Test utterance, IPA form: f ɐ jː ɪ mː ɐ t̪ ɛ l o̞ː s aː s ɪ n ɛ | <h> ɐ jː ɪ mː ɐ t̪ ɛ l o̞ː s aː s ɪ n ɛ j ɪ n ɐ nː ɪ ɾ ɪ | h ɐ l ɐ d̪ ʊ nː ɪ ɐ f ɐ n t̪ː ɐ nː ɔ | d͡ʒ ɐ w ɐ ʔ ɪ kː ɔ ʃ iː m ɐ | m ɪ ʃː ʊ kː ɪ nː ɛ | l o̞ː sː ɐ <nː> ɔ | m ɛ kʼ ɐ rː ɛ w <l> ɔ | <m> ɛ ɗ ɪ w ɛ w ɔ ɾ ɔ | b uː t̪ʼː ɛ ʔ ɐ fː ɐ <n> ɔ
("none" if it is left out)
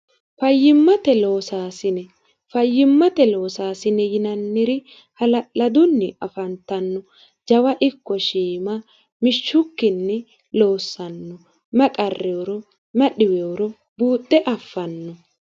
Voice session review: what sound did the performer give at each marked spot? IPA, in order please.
f, nː, ɾ, m, nː

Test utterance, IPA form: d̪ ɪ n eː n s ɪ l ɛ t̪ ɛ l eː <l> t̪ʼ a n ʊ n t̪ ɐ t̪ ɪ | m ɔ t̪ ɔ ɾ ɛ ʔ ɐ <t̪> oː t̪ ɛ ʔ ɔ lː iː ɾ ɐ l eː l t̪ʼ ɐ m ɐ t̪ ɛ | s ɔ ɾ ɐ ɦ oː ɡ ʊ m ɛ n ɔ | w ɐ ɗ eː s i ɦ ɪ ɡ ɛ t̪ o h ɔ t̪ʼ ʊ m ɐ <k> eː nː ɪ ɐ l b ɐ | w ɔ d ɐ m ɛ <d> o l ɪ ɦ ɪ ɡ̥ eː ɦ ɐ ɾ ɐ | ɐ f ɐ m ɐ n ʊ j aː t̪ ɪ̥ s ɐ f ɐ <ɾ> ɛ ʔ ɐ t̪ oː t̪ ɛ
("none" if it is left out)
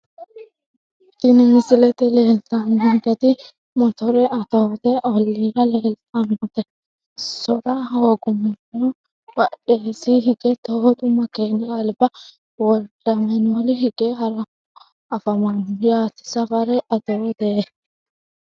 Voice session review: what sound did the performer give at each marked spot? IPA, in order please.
l, t̪, k, n, ɾ

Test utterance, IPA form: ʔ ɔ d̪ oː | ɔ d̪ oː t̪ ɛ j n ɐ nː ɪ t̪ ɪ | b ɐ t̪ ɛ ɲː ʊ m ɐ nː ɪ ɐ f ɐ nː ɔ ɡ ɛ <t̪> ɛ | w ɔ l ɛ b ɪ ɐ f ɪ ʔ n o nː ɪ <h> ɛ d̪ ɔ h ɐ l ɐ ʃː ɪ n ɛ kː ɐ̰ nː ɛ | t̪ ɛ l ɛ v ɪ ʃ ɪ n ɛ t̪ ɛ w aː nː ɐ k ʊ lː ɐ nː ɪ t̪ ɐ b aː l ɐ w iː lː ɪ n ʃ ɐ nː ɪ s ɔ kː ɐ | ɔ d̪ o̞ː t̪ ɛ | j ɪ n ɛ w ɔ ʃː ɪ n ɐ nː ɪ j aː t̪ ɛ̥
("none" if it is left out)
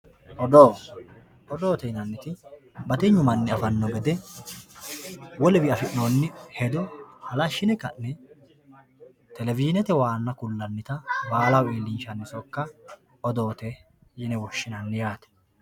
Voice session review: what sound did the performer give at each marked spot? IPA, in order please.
d̪, h

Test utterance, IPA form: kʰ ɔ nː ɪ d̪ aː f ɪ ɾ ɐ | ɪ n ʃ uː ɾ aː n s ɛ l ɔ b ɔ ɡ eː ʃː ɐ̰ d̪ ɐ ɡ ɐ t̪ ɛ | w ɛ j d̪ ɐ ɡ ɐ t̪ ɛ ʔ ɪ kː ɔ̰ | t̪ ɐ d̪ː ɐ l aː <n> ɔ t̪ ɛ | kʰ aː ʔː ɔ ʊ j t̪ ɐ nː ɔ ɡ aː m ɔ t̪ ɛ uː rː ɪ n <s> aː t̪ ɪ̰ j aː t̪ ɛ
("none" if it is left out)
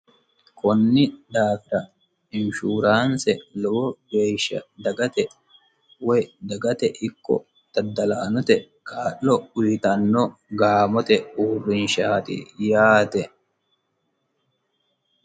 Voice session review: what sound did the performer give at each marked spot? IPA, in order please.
n, ʃ

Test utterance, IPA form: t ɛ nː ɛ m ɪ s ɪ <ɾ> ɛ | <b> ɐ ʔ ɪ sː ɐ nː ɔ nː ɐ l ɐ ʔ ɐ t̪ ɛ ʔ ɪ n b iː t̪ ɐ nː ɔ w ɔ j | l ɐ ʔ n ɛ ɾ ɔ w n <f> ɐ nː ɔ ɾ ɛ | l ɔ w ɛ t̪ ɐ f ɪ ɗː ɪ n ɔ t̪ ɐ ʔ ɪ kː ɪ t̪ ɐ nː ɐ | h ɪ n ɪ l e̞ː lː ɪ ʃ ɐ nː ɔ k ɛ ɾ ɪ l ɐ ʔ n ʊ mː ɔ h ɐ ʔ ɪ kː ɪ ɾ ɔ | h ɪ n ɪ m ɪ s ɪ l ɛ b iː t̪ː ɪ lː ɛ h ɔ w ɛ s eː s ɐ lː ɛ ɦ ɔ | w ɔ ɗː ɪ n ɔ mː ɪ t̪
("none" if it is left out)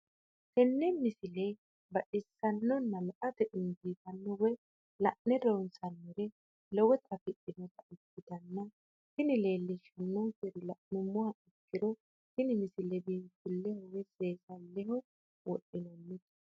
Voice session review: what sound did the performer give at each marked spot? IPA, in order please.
l, b, s

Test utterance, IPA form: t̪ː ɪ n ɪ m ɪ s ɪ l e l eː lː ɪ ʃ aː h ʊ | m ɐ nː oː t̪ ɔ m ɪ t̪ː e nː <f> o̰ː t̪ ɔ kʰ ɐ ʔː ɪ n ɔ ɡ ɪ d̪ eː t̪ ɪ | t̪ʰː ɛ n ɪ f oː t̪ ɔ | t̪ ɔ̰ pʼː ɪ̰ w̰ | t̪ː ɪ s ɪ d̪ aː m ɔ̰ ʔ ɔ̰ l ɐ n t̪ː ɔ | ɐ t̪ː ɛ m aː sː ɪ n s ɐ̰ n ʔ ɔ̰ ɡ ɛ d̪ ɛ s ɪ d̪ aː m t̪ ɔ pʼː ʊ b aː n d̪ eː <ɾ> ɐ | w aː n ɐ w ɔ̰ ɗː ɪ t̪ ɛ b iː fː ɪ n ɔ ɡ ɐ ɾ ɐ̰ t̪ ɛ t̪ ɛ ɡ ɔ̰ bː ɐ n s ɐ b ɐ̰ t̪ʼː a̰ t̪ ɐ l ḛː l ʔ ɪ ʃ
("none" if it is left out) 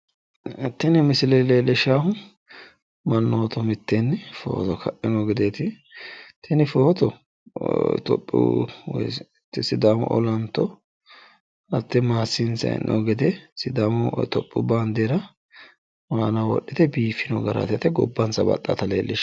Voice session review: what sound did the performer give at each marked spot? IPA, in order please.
f, ɾ

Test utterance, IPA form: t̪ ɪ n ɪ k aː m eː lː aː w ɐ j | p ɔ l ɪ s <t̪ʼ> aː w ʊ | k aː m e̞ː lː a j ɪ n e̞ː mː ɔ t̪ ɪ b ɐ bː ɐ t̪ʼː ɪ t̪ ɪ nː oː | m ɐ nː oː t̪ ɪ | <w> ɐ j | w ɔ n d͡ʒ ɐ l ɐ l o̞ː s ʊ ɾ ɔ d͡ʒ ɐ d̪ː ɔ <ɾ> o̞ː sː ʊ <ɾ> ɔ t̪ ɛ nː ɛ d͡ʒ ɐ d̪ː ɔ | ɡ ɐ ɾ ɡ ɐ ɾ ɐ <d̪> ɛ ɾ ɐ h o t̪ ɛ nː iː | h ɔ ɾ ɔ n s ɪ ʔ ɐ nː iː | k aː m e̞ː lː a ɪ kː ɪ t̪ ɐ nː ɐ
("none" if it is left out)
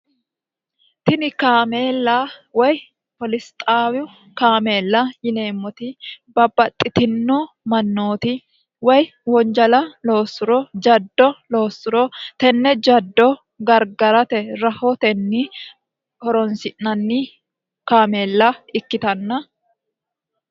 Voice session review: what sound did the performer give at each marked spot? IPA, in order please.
t̪ʼ, w, l, ɾ, t̪

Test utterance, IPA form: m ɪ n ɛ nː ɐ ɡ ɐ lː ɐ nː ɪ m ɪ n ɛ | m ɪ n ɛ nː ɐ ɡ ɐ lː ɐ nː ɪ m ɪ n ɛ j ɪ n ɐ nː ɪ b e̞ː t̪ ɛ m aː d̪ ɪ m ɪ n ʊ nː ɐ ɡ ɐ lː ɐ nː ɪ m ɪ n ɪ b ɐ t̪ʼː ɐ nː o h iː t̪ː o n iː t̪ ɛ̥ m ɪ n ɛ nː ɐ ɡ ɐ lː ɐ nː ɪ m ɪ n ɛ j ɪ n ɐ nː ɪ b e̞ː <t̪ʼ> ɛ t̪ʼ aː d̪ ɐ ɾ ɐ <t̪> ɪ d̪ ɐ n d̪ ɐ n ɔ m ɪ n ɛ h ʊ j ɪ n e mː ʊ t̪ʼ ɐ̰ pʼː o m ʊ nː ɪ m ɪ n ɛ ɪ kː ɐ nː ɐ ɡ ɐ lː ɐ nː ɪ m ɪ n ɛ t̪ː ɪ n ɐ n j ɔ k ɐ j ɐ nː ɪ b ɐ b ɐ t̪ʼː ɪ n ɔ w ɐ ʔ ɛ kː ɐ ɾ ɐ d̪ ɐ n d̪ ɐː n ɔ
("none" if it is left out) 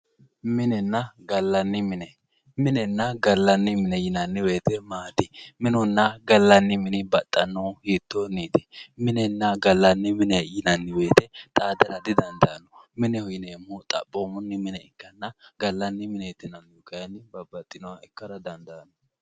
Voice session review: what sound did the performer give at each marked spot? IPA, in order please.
t̪, d̪

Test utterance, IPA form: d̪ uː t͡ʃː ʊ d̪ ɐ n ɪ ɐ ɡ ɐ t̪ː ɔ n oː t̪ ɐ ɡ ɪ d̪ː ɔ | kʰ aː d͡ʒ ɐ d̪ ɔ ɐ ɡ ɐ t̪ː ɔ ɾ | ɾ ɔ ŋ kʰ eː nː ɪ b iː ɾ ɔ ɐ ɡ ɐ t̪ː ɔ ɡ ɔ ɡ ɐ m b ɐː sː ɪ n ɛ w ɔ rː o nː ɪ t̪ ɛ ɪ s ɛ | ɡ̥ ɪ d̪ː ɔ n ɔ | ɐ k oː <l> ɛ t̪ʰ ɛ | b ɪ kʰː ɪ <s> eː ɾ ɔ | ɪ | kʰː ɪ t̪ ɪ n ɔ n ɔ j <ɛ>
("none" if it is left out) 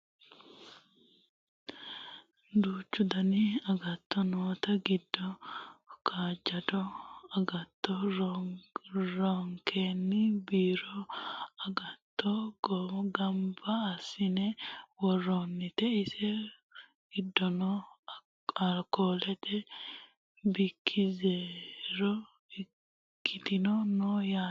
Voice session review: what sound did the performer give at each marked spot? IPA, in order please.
l, z, a

